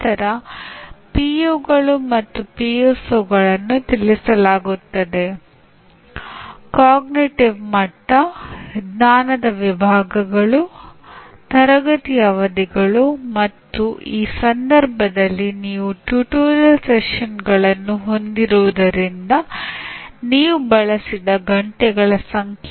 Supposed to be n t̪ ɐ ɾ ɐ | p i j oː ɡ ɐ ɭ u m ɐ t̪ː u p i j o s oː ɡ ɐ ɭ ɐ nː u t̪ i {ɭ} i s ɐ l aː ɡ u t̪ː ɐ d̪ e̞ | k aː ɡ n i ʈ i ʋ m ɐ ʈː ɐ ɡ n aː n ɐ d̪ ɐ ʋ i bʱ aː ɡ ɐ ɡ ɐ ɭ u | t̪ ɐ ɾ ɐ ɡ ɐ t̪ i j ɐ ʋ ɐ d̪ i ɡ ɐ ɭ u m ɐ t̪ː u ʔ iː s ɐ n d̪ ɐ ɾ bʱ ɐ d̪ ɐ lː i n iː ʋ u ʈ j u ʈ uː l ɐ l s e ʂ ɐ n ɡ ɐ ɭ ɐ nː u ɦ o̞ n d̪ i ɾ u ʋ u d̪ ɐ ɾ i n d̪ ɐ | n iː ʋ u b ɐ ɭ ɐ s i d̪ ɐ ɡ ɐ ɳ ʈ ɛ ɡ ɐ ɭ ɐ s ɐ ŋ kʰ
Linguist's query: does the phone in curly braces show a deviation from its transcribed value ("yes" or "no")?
yes